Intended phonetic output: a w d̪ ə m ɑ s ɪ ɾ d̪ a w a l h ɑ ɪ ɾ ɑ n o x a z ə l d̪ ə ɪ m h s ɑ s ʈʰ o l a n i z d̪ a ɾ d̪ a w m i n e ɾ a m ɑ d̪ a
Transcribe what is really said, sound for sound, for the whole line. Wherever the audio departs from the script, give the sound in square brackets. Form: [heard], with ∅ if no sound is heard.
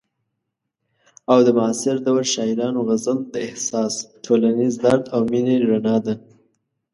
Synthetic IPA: a w d̪ ə m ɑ s ɪ ɾ d̪ a w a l [ʃ] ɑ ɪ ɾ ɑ n o [ɣ] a z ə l d̪ ə ɪ [∅] h s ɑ s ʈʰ o l a n i z d̪ a ɾ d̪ a w m i n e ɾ a [n] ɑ d̪ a